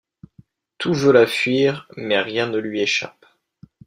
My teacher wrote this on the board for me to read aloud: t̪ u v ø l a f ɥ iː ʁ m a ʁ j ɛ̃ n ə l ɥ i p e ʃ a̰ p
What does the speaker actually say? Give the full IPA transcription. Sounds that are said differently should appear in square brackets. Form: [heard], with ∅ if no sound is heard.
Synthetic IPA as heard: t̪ u v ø l a f ɥ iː ʁ m [ɛ] ʁ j ɛ̃ n ə l ɥ i [∅] e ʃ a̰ p